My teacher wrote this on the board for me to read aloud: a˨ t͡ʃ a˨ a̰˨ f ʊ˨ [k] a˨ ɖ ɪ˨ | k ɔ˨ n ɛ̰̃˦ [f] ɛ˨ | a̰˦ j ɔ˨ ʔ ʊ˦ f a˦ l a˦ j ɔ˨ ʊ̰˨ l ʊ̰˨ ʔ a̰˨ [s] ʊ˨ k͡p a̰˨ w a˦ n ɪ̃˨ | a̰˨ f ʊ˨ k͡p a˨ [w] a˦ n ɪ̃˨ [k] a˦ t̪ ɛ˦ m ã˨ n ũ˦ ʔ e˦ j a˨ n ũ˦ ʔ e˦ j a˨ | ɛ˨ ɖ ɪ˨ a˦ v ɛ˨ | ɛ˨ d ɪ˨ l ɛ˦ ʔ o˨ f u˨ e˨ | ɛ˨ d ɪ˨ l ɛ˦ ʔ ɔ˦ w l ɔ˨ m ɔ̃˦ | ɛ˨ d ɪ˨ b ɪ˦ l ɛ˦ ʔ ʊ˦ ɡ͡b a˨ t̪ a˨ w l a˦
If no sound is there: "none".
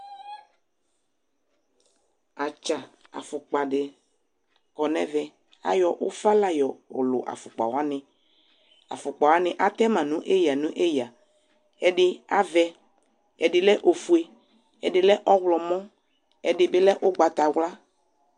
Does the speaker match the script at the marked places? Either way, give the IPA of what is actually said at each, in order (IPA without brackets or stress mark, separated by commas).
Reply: k͡p, v, f, w, ʔ